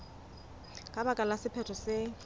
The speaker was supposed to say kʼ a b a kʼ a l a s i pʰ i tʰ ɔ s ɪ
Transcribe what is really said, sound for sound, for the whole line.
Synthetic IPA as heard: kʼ a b a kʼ a l a s ɪ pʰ ɛ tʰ ɔ s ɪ